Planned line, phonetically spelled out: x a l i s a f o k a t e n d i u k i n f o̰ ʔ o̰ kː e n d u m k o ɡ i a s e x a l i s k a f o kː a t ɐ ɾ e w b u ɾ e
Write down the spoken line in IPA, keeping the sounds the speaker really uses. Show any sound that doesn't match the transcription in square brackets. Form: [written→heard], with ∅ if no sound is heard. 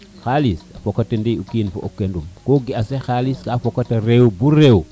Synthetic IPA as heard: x a l i s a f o k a t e n d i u k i n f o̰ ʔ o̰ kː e n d u m k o ɡ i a s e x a l i s k a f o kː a t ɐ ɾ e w b u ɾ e